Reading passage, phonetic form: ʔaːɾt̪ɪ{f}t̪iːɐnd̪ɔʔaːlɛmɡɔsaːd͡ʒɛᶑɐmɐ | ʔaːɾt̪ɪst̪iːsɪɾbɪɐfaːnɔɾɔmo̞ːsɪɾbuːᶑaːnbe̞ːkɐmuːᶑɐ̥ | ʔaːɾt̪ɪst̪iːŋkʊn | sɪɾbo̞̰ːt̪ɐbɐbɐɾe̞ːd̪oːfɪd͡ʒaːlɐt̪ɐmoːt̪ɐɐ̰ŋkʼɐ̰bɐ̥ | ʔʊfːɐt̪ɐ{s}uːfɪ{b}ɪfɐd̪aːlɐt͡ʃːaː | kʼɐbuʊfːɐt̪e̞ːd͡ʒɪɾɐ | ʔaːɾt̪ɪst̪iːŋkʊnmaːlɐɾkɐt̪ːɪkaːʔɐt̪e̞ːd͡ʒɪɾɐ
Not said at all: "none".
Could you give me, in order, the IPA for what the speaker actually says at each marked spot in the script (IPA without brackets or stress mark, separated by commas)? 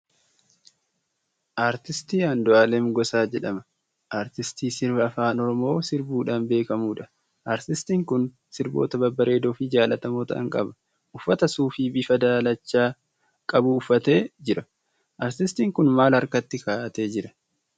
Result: s, s, b